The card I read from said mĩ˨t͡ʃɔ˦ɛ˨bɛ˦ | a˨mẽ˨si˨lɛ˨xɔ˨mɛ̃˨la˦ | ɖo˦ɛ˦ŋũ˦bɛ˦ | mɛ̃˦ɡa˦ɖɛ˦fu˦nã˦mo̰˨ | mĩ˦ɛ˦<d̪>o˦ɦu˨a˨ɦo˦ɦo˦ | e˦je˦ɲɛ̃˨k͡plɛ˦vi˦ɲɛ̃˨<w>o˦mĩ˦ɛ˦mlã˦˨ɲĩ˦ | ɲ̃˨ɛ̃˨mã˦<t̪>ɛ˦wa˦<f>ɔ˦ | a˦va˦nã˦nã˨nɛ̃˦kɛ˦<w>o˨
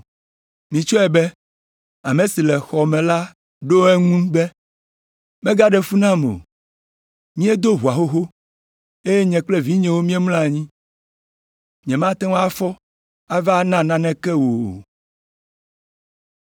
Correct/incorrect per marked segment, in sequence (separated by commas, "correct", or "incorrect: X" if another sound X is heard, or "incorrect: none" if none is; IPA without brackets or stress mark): correct, correct, correct, correct, correct